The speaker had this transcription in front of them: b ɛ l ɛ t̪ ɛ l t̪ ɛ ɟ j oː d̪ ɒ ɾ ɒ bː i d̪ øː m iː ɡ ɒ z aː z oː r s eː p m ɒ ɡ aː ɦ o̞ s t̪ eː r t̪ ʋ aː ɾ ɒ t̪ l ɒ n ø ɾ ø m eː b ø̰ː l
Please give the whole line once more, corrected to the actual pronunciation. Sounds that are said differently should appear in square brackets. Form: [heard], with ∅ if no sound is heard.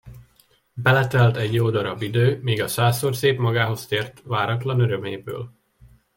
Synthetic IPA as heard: b ɛ l ɛ t̪ ɛ l t̪ ɛ ɟ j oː d̪ ɒ ɾ ɒ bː i d̪ øː m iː ɡ ɒ [s] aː [s] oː r s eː p m ɒ ɡ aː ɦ o̞ s t̪ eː r t̪ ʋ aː ɾ ɒ t̪ l ɒ n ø ɾ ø m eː b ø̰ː l